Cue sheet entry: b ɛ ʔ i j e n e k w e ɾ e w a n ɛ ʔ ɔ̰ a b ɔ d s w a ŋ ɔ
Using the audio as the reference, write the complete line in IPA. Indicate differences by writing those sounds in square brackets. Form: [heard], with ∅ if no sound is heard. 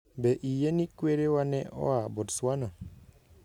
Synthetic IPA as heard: b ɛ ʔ i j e n [i] k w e ɾ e w a n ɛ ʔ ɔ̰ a b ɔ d s w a [n] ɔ